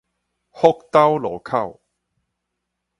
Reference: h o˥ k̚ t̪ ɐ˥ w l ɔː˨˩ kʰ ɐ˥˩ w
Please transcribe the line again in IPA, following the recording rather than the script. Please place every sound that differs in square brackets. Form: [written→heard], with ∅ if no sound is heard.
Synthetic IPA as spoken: h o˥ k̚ t̪ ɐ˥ w l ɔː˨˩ kʰ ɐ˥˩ w